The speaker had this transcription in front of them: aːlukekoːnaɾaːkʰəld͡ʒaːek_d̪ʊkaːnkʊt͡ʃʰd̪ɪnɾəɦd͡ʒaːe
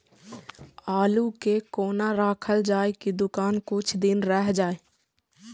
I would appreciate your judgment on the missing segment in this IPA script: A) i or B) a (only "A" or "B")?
A